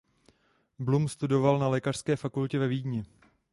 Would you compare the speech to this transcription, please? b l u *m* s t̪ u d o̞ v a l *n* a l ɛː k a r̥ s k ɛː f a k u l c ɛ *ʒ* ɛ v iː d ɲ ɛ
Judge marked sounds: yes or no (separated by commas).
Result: yes, yes, no